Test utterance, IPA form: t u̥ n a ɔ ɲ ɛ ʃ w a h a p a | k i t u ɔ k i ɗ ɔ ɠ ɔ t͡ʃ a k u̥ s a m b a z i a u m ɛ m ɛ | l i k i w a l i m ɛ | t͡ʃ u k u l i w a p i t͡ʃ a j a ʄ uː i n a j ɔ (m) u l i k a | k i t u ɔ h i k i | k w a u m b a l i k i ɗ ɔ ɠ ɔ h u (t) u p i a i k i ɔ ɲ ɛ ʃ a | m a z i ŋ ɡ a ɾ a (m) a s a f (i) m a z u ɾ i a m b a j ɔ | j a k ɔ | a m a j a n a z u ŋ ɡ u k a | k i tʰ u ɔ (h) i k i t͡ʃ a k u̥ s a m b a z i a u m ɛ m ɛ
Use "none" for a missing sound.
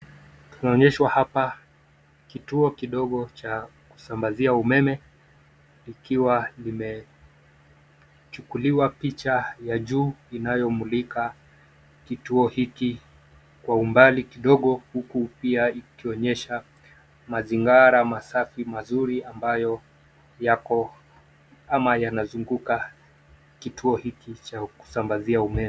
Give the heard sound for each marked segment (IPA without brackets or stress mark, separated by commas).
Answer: m, k, m, i, h